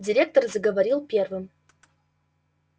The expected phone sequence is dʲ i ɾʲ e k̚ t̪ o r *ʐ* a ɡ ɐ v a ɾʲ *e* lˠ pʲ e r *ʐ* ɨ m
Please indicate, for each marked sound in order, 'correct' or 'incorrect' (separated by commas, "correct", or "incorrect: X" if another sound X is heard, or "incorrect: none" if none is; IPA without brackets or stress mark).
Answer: incorrect: z, incorrect: i, incorrect: v